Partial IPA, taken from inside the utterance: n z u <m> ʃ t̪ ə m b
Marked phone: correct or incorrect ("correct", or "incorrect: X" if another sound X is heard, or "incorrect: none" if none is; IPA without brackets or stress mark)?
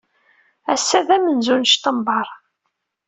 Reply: incorrect: n